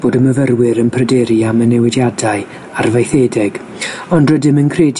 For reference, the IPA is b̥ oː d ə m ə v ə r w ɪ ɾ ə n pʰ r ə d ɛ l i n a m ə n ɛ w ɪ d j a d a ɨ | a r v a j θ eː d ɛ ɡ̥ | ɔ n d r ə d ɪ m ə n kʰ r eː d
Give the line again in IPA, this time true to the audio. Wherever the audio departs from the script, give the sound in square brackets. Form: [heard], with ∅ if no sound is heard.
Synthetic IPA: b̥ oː d ə m ə v ə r w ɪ ɾ ə n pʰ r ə d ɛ [ɾ] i [∅] a m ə n ɛ w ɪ d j a d a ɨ | a r v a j θ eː d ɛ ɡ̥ | ɔ n d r ə d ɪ m ə n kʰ r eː d